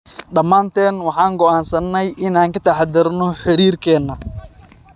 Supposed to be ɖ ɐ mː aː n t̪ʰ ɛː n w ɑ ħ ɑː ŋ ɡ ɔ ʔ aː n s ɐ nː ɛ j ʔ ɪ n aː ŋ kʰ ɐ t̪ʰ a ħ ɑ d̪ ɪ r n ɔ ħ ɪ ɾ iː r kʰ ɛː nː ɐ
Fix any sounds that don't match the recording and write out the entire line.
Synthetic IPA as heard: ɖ ɐ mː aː n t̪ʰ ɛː n w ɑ ħ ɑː ŋ ɡ ɔ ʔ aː n s ɐ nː ɛ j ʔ ɪ n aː ŋ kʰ ɐ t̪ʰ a ħ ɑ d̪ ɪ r n ɔ ħ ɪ ɾ iː r kʰ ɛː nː ɐ